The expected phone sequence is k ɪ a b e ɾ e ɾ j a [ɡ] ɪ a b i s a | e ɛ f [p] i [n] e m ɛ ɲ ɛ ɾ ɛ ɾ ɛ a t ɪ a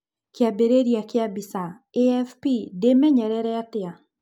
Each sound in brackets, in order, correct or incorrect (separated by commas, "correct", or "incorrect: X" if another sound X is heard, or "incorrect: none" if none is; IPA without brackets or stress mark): incorrect: k, correct, incorrect: d